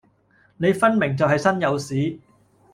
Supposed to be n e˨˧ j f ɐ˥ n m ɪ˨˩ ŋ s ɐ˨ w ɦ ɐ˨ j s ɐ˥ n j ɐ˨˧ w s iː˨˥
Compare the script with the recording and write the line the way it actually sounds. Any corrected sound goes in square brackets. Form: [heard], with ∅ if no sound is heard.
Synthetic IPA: n e˨˧ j f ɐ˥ n m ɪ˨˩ ŋ [t͡s] ɐ˨ w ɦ ɐ˨ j s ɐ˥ n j ɐ˨˧ w s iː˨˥